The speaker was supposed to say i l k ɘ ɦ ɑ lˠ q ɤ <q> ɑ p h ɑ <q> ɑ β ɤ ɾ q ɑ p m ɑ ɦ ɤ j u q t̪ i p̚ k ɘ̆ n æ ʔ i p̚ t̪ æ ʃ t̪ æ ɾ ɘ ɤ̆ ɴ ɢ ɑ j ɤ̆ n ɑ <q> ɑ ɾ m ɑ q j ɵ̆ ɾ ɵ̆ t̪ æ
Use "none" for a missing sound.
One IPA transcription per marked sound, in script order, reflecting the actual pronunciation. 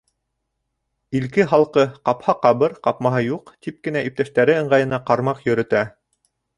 q, q, q

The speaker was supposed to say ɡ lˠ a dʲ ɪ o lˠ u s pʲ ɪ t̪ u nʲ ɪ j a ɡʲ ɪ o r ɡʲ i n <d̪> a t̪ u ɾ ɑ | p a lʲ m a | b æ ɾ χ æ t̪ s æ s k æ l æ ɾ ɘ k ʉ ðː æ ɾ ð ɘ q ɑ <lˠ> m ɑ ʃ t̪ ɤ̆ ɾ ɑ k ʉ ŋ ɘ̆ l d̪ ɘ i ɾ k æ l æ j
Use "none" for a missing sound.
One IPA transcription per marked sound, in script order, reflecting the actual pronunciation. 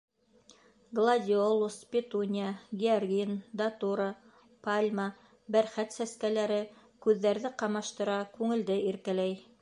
d̪, none

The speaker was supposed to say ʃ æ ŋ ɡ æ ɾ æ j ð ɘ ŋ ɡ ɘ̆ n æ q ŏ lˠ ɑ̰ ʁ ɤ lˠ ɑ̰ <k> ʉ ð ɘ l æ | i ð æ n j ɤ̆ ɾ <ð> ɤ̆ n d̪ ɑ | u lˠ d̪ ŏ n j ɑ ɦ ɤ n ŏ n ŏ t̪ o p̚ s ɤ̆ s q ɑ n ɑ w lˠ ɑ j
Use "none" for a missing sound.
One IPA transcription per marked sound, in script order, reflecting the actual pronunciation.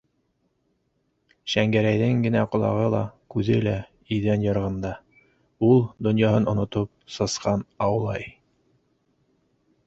k, ʁ

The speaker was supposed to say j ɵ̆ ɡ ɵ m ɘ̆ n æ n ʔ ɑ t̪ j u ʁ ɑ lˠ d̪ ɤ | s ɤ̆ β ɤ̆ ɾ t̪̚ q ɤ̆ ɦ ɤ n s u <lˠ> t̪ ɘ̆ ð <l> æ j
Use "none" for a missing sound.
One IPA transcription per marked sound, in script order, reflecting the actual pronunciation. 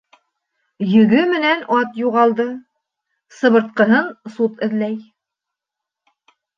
none, l

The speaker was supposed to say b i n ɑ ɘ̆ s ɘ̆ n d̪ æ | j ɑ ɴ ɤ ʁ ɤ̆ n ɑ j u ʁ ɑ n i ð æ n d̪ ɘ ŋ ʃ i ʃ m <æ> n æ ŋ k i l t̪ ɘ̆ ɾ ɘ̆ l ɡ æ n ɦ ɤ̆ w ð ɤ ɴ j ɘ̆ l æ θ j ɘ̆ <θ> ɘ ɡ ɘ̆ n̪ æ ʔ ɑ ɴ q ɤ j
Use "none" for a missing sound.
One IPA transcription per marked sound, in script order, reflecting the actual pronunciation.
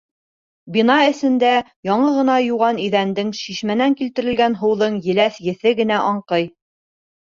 æ, θ

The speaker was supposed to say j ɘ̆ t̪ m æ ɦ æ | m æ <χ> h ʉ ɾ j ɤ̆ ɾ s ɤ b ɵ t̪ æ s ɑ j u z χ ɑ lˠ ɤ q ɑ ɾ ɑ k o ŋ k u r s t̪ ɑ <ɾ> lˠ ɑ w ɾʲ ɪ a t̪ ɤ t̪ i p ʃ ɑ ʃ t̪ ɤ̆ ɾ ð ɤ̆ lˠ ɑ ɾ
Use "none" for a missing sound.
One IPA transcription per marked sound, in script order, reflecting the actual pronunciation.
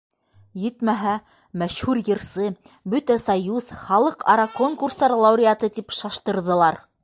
ʃ, ɾ

